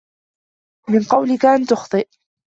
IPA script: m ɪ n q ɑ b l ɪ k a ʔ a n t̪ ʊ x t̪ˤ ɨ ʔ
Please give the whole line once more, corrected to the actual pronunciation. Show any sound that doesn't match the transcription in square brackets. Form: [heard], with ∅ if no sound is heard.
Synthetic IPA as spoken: m ɪ n q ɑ [w] l ɪ k a ʔ a n t̪ ʊ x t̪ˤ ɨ ʔ